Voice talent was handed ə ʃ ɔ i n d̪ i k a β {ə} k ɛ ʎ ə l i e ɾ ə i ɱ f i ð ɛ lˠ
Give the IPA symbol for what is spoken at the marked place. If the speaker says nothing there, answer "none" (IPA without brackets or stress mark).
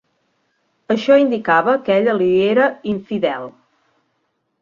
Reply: ə